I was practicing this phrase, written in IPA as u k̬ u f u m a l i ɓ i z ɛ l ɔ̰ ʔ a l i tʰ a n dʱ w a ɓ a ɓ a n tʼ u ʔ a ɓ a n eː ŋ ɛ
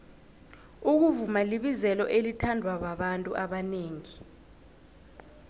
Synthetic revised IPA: u k̬ u v u m a l i ɓ i z ɛ l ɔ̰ ʔ e l i tʰ a n dʱ w a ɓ a ɓ a n tʼ u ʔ a ɓ a n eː ŋ i